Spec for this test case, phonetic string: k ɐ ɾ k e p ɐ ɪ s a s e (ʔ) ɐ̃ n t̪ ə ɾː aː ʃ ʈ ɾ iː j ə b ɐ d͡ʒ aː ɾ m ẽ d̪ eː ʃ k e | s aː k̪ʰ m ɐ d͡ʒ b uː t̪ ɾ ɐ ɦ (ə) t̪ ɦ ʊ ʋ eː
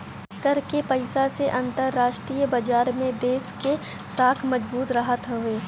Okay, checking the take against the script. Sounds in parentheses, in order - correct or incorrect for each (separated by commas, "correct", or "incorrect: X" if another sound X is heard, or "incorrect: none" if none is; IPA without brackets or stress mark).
correct, correct